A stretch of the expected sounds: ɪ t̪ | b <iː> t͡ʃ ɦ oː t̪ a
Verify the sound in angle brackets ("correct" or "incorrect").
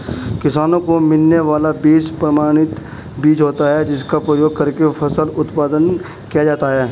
correct